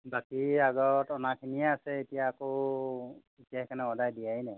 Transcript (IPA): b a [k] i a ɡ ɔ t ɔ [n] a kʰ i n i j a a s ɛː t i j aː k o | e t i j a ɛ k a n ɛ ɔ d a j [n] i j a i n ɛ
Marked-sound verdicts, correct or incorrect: correct, correct, incorrect

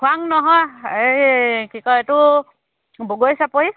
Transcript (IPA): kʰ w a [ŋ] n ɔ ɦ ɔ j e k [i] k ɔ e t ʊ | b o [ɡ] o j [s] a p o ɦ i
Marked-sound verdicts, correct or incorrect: correct, correct, correct, correct

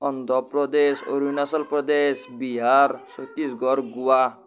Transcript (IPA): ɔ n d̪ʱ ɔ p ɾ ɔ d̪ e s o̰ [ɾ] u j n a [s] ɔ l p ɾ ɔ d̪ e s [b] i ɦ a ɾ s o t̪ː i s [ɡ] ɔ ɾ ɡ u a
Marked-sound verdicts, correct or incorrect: correct, correct, correct, correct

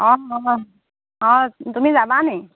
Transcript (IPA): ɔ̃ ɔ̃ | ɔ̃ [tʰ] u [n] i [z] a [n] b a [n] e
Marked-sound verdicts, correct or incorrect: incorrect, incorrect, correct, incorrect, correct

